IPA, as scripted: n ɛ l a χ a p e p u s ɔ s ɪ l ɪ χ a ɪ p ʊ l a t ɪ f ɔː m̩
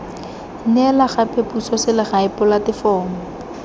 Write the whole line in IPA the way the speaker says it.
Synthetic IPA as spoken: n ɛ l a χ a p e p u s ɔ s ɪ l ɪ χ a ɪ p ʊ l a t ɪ f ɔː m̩